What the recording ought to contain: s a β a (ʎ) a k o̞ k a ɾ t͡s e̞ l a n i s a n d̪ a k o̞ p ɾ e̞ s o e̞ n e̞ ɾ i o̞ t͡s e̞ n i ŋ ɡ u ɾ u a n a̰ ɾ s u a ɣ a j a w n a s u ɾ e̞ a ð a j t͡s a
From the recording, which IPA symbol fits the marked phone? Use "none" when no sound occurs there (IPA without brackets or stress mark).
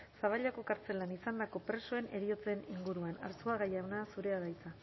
ʎ